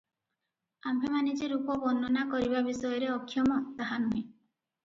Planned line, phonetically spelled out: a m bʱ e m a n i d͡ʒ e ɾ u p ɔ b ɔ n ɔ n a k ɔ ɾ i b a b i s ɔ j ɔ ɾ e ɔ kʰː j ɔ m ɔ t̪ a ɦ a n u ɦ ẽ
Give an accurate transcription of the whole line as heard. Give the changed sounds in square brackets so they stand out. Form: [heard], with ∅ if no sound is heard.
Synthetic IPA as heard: a m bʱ e m a n i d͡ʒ e ɾ u p ɔ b ɔ n ɔ n a k ɔ ɾ i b a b i s ɔ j ɔ ɾ e ɔ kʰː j ɔ m ɔ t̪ a ɦ a n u ɦ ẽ